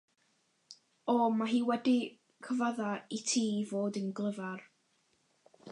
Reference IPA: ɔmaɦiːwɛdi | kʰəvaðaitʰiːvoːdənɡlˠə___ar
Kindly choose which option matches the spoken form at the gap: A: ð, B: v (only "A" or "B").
B